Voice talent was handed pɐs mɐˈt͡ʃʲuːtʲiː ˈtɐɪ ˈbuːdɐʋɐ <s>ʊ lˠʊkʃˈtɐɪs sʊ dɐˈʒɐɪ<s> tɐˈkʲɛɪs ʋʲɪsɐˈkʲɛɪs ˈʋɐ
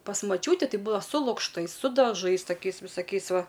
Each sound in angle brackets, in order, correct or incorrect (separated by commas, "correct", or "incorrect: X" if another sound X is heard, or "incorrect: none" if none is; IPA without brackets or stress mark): correct, correct